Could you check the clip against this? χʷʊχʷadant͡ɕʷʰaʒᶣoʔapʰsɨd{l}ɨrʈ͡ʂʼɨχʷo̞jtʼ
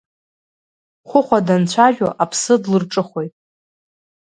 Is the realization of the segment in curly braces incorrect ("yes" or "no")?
no